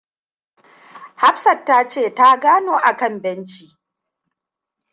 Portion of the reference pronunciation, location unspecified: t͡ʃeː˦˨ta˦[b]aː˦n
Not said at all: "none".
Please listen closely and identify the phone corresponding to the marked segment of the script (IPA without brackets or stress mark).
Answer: ɡ